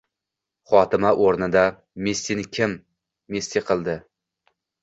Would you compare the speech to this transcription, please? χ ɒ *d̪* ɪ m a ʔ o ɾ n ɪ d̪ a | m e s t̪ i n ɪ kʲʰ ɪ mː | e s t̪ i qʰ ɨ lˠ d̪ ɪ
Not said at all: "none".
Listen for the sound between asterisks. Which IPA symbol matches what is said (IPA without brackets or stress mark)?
t̪